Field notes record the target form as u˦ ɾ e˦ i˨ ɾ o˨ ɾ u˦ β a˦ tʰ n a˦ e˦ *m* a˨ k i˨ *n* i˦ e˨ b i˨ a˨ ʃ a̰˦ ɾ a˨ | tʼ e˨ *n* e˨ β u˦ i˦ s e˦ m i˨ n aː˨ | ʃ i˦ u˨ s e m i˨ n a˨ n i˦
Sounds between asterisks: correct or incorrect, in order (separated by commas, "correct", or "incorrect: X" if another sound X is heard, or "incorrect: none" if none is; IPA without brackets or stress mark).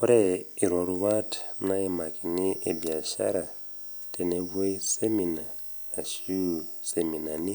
correct, correct, correct